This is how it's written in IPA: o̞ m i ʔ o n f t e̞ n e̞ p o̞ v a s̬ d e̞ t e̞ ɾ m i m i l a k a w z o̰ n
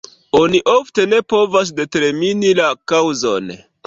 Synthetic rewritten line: o̞ n i ʔ o f t e̞ n e̞ p o̞ v a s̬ d e̞ t e̞ ɾ m i n i l a k a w z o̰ n